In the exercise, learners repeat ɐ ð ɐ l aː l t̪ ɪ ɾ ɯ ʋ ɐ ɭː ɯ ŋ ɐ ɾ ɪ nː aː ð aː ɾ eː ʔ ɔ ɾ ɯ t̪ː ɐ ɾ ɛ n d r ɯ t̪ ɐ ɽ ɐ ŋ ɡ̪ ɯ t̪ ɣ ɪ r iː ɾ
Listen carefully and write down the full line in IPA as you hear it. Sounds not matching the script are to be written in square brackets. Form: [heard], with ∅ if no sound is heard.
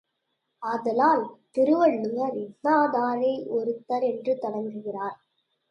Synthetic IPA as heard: ɐ ð ɐ l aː l t̪ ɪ ɾ ɯ ʋ ɐ ɭː ɯ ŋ ɐ ɾ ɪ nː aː ð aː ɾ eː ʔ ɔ ɾ ɯ t̪ː ɐ ɾ ɛ n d r ɯ t̪ ɐ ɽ ɐ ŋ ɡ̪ ɯ [∅] ɣ ɪ r [aː] ɾ